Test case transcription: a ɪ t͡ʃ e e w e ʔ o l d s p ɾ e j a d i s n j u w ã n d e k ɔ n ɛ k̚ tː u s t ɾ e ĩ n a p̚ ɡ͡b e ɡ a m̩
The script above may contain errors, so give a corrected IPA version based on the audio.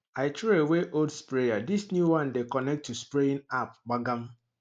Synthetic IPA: a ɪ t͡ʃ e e w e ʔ o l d s p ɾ e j a d i s n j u w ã n d e k ɔ n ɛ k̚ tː u s p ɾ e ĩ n a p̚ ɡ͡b a ɡ a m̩